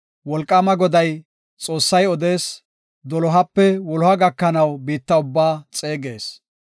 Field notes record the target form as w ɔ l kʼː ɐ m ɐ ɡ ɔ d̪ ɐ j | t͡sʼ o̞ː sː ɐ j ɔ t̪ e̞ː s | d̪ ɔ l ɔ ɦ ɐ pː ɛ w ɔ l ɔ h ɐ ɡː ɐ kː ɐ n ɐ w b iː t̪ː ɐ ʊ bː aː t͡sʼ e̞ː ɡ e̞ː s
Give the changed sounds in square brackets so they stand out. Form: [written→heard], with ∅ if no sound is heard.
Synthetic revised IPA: w ɔ l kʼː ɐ m ɐ ɡ ɔ d̪ ɐ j | t͡sʼ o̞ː sː ɐ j ɔ [t̪→d̪] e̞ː s | d̪ ɔ l ɔ ɦ ɐ pː ɛ w ɔ l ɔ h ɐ [ɡː→ɡ] ɐ kː ɐ n ɐ w b iː t̪ː ɐ ʊ bː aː t͡sʼ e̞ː ɡ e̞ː s

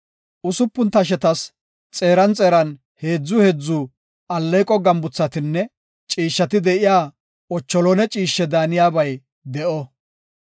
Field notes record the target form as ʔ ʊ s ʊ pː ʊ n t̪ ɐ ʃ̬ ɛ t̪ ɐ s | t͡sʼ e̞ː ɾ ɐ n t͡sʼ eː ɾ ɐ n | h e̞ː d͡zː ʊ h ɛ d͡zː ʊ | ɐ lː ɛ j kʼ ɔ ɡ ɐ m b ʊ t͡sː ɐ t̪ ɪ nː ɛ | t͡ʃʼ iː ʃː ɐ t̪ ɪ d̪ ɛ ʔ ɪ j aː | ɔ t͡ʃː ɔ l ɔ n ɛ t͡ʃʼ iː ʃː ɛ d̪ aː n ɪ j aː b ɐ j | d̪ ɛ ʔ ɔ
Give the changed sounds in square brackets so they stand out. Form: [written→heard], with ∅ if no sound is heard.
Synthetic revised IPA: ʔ ʊ s ʊ pː ʊ n t̪ ɐ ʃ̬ ɛ t̪ ɐ s | t͡sʼ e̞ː ɾ ɐ n t͡sʼ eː ɾ ɐ n | h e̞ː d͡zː ʊ h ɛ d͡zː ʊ | ɐ lː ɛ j kʼ ɔ ɡ ɐ m b ʊ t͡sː ɐ t̪ ɪ nː ɛ | t͡ʃʼ iː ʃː ɐ t̪ ɪ d̪ ɛ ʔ ɪ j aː | ɔ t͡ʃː ɔ l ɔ n ɛ t͡ʃʼ iː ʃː ɛ d̪ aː n ɪ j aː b ɐ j | d̪ ɛ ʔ ɔ

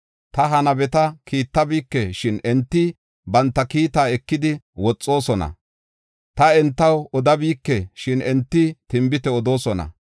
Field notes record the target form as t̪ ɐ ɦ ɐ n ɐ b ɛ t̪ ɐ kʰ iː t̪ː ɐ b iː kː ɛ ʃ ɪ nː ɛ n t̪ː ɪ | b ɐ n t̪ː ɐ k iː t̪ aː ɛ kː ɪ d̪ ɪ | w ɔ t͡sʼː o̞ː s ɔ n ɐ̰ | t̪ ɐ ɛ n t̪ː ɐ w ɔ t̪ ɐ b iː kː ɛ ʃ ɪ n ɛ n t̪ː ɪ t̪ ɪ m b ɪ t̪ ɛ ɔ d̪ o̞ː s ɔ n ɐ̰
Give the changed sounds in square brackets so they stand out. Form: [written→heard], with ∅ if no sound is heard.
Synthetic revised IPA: t̪ ɐ ɦ ɐ n ɐ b ɛ t̪ ɐ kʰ iː t̪ː ɐ b iː kː ɛ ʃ ɪ [nː→n] ɛ n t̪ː ɪ | b ɐ n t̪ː ɐ k iː t̪ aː ɛ kː ɪ d̪ ɪ | w ɔ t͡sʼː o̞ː s ɔ n ɐ̰ | t̪ ɐ ɛ n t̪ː ɐ w ɔ [t̪→d̪] ɐ b iː kː ɛ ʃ ɪ n ɛ n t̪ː ɪ t̪ ɪ m b ɪ t̪ ɛ ɔ d̪ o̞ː s ɔ n ɐ̰

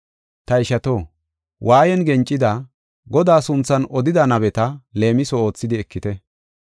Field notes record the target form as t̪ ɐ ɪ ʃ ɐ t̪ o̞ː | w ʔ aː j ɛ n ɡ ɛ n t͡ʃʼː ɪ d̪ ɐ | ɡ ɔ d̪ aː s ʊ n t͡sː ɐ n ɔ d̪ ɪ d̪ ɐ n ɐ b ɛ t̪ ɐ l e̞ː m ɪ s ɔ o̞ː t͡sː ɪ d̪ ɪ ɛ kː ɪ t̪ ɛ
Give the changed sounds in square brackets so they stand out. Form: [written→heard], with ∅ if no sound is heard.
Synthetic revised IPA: t̪ ɐ ɪ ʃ ɐ t̪ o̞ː | w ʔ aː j ɛ n ɡ ɛ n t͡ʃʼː ɪ d̪ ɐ | ɡ ɔ d̪ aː s ʊ n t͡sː ɐ n ɔ d̪ ɪ d̪ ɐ n ɐ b ɛ t̪ ɐ l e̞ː m ɪ s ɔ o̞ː t͡sː ɪ d̪ ɪ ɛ kː ɪ t̪ ɛ

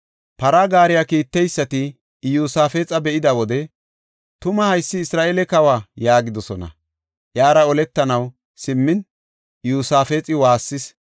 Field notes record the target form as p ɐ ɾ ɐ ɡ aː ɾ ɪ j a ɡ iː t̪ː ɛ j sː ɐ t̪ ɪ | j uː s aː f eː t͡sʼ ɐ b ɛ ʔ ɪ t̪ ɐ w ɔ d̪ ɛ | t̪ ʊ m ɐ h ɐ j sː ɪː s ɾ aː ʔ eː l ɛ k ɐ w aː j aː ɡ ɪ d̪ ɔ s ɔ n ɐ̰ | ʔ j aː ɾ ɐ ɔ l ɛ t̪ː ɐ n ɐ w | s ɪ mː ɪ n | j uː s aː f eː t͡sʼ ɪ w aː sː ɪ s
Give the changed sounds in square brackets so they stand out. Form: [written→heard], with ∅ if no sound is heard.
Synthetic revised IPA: p ɐ ɾ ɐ ɡ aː ɾ ɪ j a [ɡ→k] iː t̪ː ɛ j sː ɐ t̪ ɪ | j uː s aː f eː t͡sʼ ɐ b ɛ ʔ ɪ [t̪→d̪] ɐ w ɔ d̪ ɛ | t̪ ʊ m ɐ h ɐ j sː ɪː s ɾ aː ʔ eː l ɛ k ɐ w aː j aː ɡ ɪ d̪ ɔ s ɔ n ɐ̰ | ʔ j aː ɾ ɐ ɔ l ɛ t̪ː ɐ n ɐ w | s ɪ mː ɪ n | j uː s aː f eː t͡sʼ ɪ w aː sː ɪ s

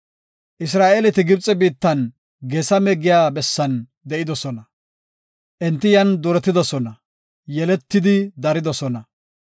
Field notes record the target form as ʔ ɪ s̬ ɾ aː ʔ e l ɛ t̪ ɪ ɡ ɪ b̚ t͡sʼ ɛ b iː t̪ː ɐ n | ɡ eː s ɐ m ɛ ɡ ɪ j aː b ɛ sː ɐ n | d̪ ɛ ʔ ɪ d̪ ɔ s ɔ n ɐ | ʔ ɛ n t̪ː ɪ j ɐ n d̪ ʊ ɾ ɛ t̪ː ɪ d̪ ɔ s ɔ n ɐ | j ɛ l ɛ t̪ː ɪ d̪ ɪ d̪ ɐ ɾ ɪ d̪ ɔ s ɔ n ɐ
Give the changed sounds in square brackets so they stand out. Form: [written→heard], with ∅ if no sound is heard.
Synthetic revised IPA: ʔ ɪ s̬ ɾ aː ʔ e l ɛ t̪ ɪ ɡ ɪ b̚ t͡sʼ ɛ b iː t̪ː ɐ n | ɡ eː s ɐ m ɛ ɡ ɪ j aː b ɛ sː ɐ n | d̪ ɛ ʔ ɪ d̪ ɔ s ɔ n ɐ | ʔ ɛ n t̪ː ɪ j ɐ n d̪ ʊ ɾ ɛ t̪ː ɪ d̪ ɔ s ɔ n ɐ | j ɛ l ɛ t̪ː ɪ d̪ ɪ d̪ ɐ ɾ ɪ d̪ ɔ s ɔ n ɐ

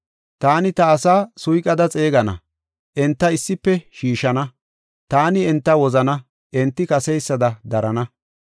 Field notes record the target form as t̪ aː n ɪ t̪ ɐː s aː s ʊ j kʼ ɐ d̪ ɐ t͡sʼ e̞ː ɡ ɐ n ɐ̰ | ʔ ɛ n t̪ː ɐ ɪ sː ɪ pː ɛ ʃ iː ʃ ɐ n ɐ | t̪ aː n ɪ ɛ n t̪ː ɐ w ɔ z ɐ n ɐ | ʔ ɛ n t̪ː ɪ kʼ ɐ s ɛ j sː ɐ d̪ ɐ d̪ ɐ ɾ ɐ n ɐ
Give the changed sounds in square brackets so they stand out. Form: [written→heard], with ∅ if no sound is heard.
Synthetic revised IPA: t̪ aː n ɪ t̪ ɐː s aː s ʊ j kʼ ɐ d̪ ɐ t͡sʼ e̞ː ɡ ɐ n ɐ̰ | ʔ ɛ n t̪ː ɐ ɪ sː ɪ pː ɛ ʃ iː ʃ ɐ n ɐ | t̪ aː n ɪ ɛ n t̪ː ɐ w ɔ z ɐ n ɐ | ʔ ɛ n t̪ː ɪ [kʼ→k] ɐ s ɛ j sː ɐ d̪ ɐ d̪ ɐ ɾ ɐ n ɐ

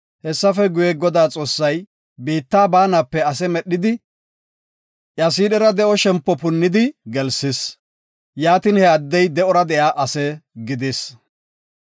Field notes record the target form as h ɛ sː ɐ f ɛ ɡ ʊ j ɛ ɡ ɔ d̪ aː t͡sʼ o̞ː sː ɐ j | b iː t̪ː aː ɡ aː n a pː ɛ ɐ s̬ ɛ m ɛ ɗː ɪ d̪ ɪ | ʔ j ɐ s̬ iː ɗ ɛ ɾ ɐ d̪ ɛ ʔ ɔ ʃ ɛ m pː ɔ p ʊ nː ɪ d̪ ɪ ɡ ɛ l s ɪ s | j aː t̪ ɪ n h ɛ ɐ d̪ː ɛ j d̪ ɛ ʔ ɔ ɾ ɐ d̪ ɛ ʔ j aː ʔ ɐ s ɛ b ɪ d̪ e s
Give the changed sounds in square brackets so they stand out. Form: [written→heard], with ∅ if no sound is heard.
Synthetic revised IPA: h ɛ sː ɐ f ɛ ɡ ʊ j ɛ ɡ ɔ d̪ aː t͡sʼ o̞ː sː ɐ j | b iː t̪ː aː [ɡ→b] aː n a pː ɛ ɐ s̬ ɛ m ɛ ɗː ɪ d̪ ɪ | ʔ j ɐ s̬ iː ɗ ɛ ɾ ɐ d̪ ɛ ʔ ɔ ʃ ɛ m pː ɔ p ʊ nː ɪ d̪ ɪ ɡ ɛ l s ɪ s | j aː t̪ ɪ n h ɛ ɐ d̪ː ɛ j d̪ ɛ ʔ ɔ ɾ ɐ d̪ ɛ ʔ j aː ʔ ɐ s ɛ [b→ɡ] ɪ d̪ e s

